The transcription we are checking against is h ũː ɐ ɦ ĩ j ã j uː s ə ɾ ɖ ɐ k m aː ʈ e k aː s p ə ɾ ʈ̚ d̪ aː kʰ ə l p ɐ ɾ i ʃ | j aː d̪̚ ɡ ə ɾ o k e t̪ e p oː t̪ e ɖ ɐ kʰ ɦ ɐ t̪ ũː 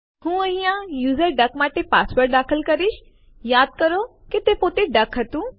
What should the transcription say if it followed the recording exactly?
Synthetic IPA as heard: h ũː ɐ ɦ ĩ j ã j uː z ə ɾ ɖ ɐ k m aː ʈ e p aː s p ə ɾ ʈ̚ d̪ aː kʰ ə l k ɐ ɾ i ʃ | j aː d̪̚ k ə ɾ o k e t̪ e p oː t̪ e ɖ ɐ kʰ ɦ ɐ t̪ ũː